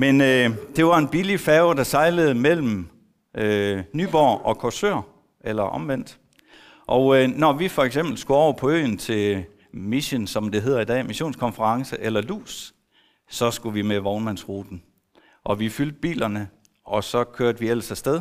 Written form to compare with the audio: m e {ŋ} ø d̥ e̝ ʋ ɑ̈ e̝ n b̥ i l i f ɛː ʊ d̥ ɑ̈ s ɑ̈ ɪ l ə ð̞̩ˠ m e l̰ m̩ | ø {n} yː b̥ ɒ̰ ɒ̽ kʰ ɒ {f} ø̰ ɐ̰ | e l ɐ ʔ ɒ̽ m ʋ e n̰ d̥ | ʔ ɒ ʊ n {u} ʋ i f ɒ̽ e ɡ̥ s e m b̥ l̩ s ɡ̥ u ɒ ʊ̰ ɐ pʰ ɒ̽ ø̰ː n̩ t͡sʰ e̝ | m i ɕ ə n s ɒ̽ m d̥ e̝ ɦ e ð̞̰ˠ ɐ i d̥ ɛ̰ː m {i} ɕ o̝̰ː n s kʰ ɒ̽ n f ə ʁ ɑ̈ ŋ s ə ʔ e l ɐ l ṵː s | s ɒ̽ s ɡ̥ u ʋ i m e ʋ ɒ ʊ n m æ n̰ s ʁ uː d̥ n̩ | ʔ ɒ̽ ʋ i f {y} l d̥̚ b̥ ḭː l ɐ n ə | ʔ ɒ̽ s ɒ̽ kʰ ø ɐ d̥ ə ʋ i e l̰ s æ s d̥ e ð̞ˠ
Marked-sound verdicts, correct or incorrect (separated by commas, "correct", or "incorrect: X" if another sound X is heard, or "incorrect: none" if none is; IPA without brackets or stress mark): incorrect: n, correct, incorrect: s, incorrect: ɒ, correct, correct